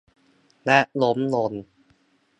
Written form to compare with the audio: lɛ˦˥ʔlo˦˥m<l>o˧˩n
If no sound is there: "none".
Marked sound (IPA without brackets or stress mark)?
l